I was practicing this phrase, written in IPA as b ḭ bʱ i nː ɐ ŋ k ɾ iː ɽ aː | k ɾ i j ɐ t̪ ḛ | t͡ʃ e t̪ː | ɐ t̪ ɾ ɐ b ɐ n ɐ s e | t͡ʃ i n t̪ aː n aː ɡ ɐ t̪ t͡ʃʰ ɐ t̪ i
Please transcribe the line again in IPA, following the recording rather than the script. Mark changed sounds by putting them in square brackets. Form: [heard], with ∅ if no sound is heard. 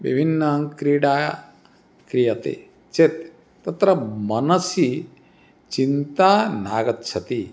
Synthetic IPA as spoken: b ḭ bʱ i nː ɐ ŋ k ɾ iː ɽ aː | k ɾ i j ɐ t̪ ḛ | t͡ʃ e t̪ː | ɐ t̪ ɾ ɐ [m] ɐ n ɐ s [i] | t͡ʃ i n t̪ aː n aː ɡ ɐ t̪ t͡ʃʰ ɐ t̪ i